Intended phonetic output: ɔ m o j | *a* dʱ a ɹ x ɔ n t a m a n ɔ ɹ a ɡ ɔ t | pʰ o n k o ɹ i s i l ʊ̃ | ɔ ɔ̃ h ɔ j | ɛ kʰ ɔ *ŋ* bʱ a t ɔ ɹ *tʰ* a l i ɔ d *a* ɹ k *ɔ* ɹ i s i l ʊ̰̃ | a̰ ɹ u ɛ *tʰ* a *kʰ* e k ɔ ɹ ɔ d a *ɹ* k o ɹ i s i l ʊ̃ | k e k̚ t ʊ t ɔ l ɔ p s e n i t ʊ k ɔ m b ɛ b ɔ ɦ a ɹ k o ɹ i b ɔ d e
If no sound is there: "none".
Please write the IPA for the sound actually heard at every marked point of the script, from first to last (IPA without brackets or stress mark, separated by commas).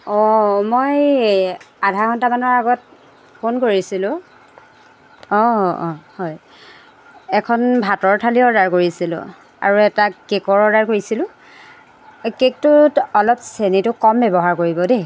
a, n, tʰ, a, o, t, k, ɹ